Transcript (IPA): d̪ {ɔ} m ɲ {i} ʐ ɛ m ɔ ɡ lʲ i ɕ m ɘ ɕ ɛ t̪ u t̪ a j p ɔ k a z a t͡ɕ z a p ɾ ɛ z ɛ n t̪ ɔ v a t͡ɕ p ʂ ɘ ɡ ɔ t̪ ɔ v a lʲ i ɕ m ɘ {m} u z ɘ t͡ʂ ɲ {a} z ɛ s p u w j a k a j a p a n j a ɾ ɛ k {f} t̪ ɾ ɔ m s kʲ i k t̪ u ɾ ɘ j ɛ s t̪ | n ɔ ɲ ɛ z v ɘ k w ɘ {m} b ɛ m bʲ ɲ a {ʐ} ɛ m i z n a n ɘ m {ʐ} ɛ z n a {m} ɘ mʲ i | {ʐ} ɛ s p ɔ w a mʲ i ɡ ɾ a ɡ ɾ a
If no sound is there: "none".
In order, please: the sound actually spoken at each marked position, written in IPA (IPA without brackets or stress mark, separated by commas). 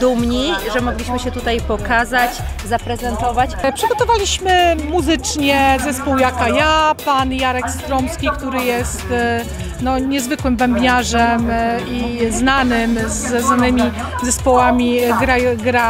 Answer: u, i, m, ɛ, s, m, ʐ, z, n, z